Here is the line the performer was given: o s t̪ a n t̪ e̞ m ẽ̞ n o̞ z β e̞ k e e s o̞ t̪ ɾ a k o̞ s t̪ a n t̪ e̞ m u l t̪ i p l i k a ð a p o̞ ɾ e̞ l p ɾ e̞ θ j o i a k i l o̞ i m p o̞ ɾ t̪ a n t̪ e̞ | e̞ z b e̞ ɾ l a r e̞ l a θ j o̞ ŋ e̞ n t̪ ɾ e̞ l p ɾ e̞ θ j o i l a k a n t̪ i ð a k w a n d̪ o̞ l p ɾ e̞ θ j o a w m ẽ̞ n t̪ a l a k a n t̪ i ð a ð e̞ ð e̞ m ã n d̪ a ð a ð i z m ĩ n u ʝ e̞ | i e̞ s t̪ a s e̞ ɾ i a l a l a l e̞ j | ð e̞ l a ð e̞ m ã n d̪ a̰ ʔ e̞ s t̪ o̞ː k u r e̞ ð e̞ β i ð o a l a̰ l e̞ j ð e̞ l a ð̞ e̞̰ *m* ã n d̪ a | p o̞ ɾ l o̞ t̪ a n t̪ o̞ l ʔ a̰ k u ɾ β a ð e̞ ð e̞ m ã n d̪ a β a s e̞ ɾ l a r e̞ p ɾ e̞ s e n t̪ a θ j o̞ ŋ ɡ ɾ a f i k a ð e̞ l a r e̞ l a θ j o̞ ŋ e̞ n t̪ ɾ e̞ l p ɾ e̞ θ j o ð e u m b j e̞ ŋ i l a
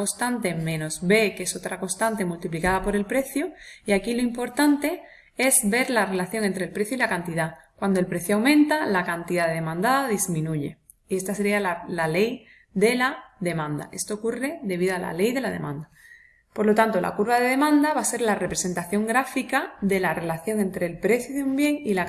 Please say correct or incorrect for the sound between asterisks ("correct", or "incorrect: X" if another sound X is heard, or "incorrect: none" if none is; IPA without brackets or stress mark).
correct